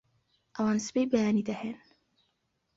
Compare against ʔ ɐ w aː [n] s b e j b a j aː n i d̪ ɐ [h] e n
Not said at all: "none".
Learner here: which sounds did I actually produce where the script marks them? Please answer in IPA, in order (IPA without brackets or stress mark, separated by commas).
n, h